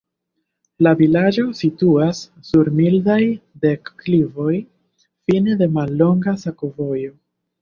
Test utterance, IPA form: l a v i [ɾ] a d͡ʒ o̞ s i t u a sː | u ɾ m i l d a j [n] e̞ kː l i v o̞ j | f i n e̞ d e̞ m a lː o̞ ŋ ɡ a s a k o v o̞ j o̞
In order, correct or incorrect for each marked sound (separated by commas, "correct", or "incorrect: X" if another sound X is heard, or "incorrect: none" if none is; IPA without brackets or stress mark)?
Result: incorrect: l, incorrect: d